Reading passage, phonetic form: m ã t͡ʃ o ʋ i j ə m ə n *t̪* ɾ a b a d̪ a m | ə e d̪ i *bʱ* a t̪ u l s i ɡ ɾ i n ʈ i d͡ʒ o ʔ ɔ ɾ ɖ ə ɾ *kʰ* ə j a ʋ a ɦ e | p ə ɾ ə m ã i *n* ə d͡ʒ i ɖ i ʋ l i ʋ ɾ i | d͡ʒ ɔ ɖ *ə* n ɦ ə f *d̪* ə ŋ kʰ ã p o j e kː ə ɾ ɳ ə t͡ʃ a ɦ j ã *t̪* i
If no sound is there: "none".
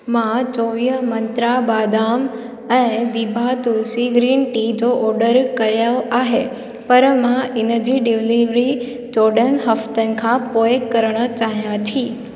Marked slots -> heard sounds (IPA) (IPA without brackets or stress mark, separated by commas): t̪, bʱ, k, n, ə, t̪, t̪ʰ